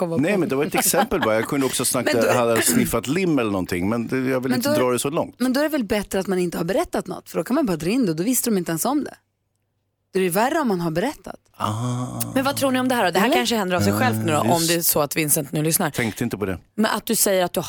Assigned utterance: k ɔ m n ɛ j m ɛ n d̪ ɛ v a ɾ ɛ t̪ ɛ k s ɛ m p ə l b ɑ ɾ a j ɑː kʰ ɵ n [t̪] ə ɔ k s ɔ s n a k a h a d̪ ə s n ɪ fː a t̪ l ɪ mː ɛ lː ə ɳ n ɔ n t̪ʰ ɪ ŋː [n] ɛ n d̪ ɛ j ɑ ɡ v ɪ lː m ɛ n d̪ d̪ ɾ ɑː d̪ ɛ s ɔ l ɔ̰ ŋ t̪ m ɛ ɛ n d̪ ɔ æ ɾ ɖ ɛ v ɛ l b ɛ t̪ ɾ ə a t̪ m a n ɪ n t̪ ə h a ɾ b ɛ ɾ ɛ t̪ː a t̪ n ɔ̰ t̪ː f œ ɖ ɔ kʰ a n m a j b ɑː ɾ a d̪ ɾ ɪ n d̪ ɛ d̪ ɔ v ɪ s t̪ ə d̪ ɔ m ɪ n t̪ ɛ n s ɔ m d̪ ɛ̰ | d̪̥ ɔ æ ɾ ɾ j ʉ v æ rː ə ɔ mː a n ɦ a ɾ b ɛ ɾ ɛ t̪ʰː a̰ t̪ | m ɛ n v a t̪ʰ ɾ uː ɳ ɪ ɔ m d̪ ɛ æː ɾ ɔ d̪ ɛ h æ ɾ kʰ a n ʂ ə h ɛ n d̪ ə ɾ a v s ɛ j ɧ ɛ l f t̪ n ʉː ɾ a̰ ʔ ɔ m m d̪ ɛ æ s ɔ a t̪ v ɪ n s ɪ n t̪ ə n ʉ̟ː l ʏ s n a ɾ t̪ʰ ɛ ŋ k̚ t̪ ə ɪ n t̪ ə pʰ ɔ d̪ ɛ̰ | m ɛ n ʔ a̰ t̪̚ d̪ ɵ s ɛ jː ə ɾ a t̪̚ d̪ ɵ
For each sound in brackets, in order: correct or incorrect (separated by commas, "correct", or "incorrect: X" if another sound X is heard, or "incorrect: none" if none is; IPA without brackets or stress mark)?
incorrect: d̪, incorrect: m